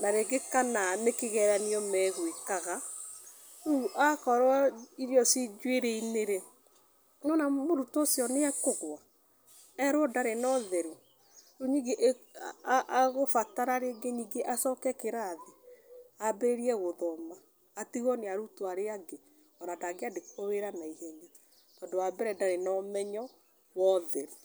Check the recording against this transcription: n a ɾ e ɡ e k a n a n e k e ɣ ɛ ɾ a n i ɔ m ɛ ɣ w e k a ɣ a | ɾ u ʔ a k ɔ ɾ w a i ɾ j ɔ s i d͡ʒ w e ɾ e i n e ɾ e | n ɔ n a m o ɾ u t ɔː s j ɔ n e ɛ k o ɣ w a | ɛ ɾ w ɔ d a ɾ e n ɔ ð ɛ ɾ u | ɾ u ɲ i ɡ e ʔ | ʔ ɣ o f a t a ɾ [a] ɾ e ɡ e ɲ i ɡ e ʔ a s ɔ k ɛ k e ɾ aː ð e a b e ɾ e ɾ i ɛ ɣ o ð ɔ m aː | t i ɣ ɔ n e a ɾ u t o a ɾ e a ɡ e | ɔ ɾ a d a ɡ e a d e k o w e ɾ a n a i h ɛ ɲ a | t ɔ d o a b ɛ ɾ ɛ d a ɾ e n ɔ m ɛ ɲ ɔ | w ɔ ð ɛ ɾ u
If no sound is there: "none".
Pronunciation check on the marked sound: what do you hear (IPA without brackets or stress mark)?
a